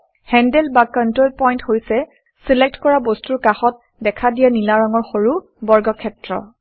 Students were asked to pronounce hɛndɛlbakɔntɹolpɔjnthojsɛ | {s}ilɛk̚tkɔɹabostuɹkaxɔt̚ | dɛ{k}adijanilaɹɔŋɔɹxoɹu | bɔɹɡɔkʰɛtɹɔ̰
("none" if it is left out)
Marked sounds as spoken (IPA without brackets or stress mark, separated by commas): s, kʰ